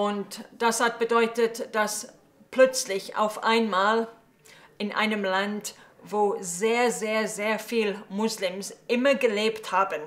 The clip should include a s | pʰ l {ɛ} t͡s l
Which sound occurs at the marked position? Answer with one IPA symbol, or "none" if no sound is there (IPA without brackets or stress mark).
œ